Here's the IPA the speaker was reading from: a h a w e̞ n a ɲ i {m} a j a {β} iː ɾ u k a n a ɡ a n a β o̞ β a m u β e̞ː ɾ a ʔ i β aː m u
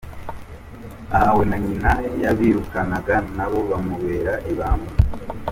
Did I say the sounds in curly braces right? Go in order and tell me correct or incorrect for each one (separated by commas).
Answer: incorrect, correct